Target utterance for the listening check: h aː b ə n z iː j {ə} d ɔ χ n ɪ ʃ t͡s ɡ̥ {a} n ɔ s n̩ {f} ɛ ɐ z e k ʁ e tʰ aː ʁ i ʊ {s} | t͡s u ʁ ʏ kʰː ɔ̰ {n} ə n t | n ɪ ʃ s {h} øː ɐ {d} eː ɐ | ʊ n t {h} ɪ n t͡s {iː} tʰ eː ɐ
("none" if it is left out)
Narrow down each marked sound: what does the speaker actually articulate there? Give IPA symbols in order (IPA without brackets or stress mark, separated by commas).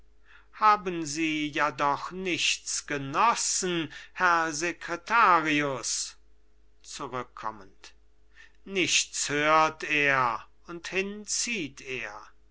a, ə, h, s, m, h, t, h, iː